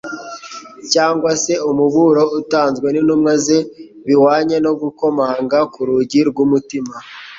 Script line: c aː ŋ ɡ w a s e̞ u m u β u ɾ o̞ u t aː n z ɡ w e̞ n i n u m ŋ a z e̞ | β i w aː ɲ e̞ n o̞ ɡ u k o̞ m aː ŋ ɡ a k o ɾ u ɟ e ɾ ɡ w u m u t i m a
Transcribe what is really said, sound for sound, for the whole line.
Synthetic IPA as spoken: c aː ŋ ɡ w a s e̞ u m u β u ɾ o̞ u t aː n z ɡ w e̞ n i n u m ŋ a z e̞ | β i w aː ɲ e̞ n o̞ ɡ u k o̞ m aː ŋ ɡ a k u ɾ u ɟ i ɾ ɡ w u m u t i m a